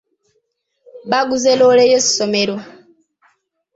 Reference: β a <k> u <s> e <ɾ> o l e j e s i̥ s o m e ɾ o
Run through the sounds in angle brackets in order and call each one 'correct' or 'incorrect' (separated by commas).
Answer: incorrect, incorrect, incorrect